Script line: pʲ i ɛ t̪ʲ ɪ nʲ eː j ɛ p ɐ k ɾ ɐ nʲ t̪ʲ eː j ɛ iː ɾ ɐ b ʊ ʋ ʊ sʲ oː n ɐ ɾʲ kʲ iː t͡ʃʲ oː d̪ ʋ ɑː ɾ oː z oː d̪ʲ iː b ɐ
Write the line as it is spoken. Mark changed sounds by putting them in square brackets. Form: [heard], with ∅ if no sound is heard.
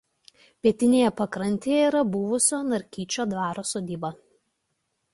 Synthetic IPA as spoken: pʲ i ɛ t̪ʲ ɪ nʲ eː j ɛ p ɐ k ɾ ɐ nʲ t̪ʲ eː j ɛ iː ɾ ɐ b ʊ ʋ ʊ sʲ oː n ɐ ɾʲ kʲ iː t͡ʃʲ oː d̪ ʋ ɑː ɾ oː [s] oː d̪ʲ iː b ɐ